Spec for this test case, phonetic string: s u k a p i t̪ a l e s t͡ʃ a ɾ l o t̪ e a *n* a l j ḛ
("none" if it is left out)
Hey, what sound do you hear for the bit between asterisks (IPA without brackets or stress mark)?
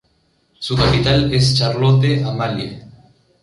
m